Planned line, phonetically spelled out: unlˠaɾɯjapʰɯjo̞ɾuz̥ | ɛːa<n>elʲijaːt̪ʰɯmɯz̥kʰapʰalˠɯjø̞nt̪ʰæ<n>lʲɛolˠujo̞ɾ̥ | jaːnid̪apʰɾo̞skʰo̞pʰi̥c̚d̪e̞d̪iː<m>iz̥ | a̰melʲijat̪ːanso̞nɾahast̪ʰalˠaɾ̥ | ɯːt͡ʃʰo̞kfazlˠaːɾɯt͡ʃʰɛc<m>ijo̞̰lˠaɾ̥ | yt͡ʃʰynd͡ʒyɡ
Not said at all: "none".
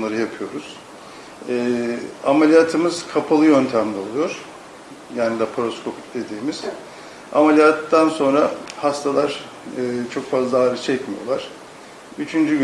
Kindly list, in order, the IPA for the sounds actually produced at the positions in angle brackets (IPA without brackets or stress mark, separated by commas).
m, m, m, m